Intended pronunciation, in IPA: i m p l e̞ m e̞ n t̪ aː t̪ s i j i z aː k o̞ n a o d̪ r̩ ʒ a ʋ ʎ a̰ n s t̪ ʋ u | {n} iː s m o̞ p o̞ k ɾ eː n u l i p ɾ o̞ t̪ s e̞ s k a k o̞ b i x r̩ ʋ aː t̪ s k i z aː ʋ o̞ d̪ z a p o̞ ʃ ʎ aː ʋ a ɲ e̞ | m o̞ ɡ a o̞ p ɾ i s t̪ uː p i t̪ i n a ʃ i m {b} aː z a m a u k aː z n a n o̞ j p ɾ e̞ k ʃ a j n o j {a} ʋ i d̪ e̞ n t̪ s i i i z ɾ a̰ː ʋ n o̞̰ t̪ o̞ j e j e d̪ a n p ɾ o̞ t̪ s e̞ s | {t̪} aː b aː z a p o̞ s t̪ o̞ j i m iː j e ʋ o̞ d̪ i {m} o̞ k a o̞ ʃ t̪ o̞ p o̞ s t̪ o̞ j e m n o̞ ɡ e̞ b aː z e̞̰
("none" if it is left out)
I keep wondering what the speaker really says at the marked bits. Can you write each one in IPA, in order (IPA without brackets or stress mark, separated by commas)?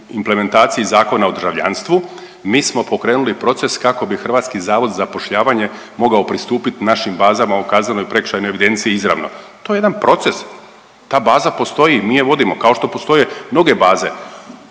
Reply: m, b, e, t̪, m